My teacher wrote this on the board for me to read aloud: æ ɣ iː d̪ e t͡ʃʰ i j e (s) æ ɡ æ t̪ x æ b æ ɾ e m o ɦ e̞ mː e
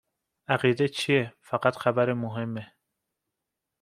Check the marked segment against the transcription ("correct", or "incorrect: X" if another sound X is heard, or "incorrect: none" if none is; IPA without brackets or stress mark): incorrect: f